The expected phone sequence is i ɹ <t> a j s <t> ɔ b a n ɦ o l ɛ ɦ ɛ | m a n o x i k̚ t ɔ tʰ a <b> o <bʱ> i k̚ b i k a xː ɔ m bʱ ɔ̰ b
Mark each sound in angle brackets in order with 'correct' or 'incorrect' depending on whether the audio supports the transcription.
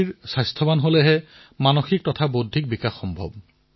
incorrect: s, incorrect: tʰ, correct, incorrect: dʱ

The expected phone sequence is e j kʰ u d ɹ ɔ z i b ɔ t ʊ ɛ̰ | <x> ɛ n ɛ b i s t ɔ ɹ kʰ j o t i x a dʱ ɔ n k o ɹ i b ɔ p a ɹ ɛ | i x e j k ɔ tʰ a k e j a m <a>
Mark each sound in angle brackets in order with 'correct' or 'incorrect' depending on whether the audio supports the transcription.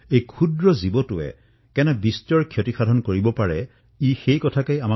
incorrect: k, correct

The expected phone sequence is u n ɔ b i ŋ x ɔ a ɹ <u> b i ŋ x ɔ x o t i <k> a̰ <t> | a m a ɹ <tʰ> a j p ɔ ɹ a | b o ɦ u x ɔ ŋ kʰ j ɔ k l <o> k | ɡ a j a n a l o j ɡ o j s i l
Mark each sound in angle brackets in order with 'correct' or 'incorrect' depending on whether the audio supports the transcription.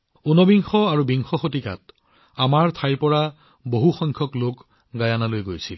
correct, correct, correct, correct, correct

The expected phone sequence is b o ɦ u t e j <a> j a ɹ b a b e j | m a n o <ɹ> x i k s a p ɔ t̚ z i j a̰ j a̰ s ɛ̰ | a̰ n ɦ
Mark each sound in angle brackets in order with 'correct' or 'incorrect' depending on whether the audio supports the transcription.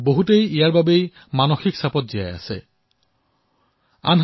incorrect: i, incorrect: none

